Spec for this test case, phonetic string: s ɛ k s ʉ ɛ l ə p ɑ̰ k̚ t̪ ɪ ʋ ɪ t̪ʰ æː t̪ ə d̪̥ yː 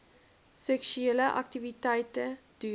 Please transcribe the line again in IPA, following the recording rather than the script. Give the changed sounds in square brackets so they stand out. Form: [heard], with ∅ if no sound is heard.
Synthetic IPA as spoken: s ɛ k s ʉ ɛ l ə [ʔ] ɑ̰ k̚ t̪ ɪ ʋ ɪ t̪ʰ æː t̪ ə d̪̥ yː